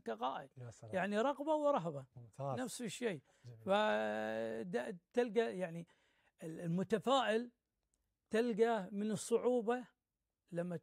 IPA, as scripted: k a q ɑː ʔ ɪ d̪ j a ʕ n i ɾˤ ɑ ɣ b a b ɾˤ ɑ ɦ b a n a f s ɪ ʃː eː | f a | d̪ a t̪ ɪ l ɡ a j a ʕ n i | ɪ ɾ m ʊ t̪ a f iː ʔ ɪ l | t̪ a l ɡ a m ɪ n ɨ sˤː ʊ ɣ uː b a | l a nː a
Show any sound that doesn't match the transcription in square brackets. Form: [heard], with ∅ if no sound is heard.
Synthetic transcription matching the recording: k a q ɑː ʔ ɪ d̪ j a ʕ n i ɾˤ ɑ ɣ b a [w] ɾˤ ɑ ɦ b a n a f s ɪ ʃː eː | f a | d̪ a t̪ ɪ l ɡ a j a ʕ n i | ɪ [l] m ʊ t̪ a f [aː] ʔ ɪ l | t̪ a l ɡ a m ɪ n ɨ sˤː ʊ [ʕ] uː b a | l a [mː] a